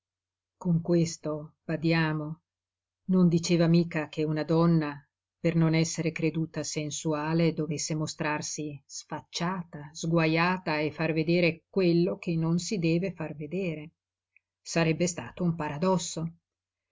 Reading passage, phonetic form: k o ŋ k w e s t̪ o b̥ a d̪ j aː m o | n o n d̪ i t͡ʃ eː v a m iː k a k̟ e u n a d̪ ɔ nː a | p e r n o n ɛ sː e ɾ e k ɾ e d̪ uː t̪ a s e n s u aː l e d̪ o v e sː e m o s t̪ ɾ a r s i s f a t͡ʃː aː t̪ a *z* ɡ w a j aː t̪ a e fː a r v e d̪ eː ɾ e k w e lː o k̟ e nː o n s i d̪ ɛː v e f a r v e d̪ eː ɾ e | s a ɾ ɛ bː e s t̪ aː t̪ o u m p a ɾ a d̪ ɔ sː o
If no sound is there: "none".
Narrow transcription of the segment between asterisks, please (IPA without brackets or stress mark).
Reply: z